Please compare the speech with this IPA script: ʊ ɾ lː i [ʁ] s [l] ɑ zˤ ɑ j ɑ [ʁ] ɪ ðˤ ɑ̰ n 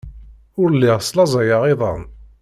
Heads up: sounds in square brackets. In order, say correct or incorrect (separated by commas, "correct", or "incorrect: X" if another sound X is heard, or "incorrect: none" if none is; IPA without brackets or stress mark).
correct, correct, correct